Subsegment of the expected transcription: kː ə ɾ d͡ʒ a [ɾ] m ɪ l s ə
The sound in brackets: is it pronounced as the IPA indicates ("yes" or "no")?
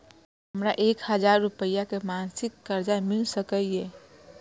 no